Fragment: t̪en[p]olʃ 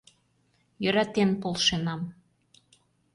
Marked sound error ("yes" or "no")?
no